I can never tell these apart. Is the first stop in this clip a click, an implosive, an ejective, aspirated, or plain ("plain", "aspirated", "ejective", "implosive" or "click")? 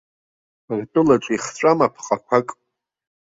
ejective